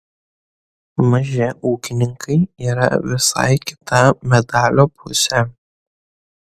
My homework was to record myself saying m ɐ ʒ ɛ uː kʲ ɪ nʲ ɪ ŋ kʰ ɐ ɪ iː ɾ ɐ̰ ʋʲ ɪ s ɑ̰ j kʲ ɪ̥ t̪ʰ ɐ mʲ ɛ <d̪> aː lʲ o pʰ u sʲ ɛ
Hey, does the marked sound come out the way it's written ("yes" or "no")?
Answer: yes